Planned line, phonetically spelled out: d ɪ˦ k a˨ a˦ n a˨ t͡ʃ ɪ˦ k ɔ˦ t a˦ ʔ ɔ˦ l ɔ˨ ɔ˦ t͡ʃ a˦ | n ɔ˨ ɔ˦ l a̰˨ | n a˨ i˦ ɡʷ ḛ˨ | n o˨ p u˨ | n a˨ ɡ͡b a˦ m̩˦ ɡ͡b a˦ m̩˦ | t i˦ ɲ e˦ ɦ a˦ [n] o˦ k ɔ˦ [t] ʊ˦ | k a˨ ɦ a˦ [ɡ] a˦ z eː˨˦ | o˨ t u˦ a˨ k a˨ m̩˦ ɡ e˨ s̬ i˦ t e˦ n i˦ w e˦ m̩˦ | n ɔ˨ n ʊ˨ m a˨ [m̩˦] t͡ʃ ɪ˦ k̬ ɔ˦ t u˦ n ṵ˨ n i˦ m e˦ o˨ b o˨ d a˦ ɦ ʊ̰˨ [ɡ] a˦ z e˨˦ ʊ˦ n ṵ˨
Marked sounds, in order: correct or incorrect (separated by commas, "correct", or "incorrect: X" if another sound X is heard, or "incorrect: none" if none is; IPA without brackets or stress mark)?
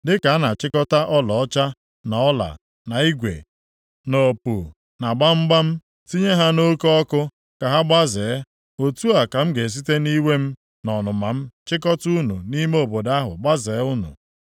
correct, incorrect: k, incorrect: ɡ͡b, correct, incorrect: ɡ͡b